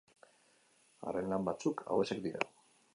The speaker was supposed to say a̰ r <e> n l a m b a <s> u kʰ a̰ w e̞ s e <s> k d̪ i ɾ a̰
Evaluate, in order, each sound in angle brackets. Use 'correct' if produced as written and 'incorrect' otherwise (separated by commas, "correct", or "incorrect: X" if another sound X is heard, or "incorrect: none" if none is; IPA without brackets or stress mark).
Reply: correct, incorrect: t͡s, incorrect: none